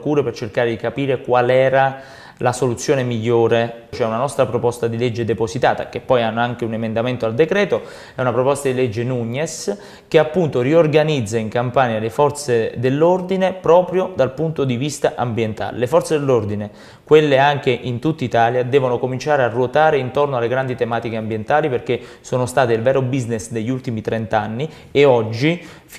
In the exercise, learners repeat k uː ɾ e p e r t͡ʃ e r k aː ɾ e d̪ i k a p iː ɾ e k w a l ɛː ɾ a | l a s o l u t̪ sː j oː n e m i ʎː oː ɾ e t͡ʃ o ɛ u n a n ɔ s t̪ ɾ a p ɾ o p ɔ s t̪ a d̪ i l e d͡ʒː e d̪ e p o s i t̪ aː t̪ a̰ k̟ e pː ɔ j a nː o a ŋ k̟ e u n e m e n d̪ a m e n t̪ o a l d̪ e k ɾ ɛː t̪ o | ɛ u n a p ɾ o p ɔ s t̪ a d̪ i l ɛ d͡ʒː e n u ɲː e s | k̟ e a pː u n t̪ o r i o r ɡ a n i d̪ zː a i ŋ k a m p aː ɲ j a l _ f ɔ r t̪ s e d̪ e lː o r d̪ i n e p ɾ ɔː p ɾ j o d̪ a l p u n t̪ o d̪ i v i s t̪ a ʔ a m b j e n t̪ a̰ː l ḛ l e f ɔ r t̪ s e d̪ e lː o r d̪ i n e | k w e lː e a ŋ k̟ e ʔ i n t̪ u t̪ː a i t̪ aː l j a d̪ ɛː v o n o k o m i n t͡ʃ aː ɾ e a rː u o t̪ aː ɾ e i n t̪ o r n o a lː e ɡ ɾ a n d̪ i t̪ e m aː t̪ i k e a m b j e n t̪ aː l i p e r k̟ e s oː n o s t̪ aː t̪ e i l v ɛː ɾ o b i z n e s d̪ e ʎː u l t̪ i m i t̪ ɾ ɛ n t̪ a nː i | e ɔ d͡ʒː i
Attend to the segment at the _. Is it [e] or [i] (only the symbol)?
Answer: e